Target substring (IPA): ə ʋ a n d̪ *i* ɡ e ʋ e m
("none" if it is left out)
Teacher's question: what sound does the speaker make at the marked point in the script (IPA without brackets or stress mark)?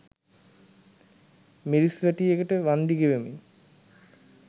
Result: i